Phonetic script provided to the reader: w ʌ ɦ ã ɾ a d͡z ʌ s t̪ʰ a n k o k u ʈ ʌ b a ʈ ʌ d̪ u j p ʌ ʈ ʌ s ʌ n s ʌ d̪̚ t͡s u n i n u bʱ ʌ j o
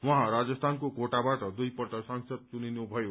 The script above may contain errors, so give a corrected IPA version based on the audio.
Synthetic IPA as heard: w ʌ ɦ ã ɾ a d͡z ʌ s t̪ʰ a n k o k o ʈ a b a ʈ ʌ d̪ u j p ʌ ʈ ʌ s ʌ ŋ s ʌ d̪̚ t͡s u n i n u bʱ ʌ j o